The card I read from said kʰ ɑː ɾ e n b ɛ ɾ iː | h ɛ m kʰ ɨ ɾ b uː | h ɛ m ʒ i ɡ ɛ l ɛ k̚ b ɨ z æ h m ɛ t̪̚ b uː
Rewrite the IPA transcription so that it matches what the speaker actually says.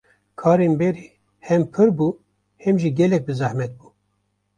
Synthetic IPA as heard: kʰ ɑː ɾ e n b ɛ ɾ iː | h ɛ m pʰ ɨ ɾ b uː | h ɛ m ʒ i ɡ ɛ l ɛ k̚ b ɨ z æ h m ɛ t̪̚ b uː